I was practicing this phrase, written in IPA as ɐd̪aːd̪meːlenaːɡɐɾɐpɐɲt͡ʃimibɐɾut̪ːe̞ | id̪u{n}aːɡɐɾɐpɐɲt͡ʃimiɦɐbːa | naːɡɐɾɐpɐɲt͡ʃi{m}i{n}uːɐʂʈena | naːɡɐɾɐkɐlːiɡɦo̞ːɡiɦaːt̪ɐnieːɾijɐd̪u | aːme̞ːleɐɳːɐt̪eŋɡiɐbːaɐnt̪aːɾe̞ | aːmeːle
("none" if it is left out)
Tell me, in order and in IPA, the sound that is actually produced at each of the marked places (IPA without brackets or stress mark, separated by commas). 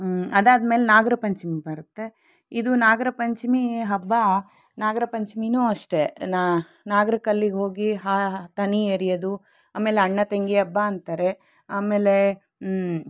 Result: n, m, n